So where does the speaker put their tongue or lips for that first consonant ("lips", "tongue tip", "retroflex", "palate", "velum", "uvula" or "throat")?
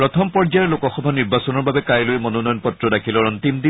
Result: tongue tip